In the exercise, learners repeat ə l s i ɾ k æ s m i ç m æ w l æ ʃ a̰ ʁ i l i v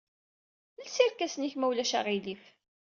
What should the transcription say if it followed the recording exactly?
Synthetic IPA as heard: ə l s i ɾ k æ s n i ç m æ w l æ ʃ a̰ ʁ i l i f